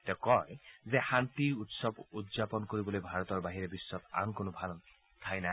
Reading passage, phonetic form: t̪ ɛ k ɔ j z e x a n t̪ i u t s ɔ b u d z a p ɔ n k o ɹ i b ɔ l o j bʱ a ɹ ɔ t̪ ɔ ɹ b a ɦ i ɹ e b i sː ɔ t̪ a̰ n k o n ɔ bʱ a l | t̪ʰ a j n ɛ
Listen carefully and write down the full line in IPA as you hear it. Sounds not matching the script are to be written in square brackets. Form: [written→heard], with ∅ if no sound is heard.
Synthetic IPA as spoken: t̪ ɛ k ɔ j z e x a n t̪ i u t s ɔ b u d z a p ɔ n k o ɹ i b ɔ l o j bʱ a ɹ ɔ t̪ ɔ ɹ b a ɦ i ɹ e b i sː ɔ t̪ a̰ n k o n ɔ bʱ a l | t̪ʰ a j n [ɛ→a]